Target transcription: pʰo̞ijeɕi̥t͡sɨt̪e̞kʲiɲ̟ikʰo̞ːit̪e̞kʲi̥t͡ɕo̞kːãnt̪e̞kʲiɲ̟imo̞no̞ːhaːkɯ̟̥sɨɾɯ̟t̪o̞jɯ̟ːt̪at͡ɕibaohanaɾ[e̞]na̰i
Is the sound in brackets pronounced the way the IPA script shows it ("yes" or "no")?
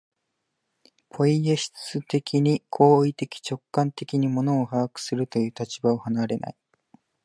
yes